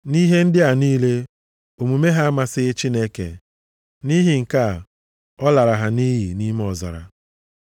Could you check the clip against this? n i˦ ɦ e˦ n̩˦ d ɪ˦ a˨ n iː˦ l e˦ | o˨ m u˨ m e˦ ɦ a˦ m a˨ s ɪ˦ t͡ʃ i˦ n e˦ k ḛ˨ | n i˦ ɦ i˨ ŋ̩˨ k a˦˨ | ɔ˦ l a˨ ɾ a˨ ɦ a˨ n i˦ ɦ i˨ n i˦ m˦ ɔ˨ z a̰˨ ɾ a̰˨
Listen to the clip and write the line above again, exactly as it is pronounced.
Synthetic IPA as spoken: n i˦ ɦ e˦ n̩˦ d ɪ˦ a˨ n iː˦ l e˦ | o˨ m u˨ m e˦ ɦ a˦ m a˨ s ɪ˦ t͡ʃ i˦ n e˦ k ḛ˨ | n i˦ ɦ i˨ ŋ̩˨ k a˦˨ | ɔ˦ l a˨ ɾ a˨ ɦ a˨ n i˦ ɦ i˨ n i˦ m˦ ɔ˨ z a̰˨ ɾ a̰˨